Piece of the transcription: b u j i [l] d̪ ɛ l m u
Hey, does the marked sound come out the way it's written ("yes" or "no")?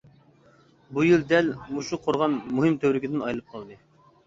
yes